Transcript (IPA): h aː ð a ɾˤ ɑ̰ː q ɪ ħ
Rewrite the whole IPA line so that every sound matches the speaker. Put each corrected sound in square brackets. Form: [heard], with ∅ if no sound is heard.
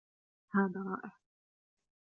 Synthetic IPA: h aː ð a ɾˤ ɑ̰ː [ʔ] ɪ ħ